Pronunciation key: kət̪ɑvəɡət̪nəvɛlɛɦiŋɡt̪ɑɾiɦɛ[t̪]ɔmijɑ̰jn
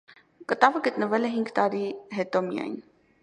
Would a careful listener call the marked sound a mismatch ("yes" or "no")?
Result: no